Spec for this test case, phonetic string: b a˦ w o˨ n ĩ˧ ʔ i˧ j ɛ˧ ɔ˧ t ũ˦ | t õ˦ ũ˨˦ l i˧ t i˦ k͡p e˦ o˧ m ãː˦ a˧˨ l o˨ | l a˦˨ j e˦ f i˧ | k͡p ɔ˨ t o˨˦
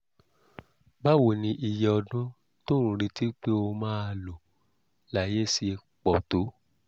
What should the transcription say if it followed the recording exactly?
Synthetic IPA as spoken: b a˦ w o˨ n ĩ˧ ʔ i˧ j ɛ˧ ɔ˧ d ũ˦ | t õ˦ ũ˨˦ ɾ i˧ t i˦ k͡p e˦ o˧ m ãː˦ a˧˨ l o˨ | l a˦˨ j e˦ s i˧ | k͡p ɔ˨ t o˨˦